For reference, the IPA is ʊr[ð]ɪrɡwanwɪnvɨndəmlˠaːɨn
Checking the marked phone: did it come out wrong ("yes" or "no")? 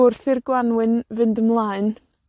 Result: yes